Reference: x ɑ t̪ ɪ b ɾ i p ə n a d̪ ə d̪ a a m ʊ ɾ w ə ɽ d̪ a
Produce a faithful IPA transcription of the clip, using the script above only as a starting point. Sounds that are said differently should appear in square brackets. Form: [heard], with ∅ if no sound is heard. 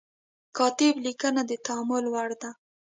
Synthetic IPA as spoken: [k] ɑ t̪ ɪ b [l] i [k] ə n a d̪ ə [t̪] a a m ʊ [l] w [a] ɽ d̪ a